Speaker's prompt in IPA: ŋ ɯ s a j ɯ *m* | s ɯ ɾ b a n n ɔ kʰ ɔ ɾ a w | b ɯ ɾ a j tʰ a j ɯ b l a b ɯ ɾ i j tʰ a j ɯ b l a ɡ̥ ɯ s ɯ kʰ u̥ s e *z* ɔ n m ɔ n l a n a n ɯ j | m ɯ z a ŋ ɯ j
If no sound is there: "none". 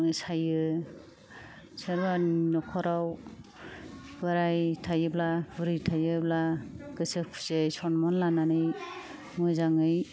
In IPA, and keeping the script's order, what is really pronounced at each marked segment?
none, s

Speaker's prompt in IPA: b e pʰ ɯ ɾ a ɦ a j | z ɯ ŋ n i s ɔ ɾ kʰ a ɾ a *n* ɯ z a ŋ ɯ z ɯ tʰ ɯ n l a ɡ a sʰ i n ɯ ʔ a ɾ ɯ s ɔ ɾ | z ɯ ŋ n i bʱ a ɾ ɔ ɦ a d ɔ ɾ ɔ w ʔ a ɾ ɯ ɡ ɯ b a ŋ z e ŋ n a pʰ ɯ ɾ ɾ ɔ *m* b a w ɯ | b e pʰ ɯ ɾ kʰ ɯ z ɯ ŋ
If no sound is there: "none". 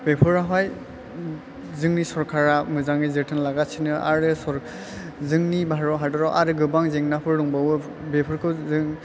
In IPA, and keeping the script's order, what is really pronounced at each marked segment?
m, ŋ

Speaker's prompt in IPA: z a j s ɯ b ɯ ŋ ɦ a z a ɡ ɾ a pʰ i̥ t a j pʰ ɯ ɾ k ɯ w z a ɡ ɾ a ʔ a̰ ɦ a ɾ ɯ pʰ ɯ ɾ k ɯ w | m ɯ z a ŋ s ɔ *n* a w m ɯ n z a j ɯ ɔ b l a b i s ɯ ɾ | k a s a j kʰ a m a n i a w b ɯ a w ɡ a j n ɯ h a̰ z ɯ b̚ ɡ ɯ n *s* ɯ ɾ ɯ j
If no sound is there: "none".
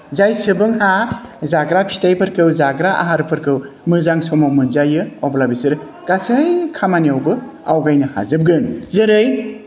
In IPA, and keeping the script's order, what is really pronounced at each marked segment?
m, z

